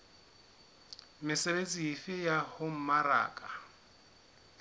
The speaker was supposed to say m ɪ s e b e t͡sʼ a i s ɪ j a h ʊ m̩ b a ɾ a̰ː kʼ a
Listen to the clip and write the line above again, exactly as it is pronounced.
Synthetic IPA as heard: m ɪ s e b e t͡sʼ i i f ɪ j a h ʊ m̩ m a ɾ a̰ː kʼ a